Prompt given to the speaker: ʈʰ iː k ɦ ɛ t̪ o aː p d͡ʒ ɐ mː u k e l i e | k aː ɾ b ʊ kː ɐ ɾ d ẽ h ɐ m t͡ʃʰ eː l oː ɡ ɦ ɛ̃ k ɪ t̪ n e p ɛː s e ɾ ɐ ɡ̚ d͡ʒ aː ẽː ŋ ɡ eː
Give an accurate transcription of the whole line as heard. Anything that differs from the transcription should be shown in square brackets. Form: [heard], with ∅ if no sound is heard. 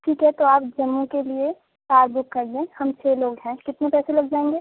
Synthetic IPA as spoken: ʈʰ iː k ɦ ɛ t̪ o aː p d͡ʒ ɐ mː u k e l i e | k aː ɾ b ʊ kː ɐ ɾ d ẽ h ɐ m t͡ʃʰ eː l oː ɡ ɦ ɛ̃ k ɪ t̪ n e p ɛː s e [l] ɐ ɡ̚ d͡ʒ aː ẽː ŋ ɡ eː